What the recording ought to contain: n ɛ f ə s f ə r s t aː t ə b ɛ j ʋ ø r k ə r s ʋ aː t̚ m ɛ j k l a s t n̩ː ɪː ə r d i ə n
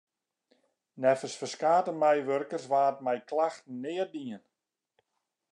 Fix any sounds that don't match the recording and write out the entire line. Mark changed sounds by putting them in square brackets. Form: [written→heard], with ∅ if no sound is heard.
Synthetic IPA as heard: n ɛ f ə s f ə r s [t→k] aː t ə [b→m] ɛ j ʋ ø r k ə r s ʋ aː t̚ m ɛ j k l a [s→x] t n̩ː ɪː ə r d i ə n